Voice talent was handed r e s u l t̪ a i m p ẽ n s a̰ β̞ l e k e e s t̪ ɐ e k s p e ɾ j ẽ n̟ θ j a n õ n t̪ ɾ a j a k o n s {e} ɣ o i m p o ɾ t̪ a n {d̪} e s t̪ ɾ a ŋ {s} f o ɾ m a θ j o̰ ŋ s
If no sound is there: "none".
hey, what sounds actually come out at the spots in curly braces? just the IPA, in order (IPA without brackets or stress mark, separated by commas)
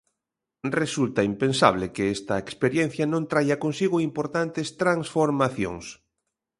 i, t̪, s